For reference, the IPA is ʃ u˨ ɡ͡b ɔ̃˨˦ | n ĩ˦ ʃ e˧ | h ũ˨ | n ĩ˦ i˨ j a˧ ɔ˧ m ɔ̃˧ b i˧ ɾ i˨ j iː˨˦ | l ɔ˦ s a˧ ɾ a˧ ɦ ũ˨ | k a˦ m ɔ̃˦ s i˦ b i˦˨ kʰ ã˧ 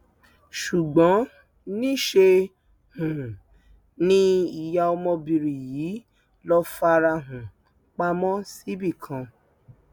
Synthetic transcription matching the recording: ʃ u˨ ɡ͡b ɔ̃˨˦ | n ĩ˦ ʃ e˧ | h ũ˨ | n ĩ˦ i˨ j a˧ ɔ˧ m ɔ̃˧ b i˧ ɾ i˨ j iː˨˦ | l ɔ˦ f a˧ ɾ a˧ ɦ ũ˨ | k͡p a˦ m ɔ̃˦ s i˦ b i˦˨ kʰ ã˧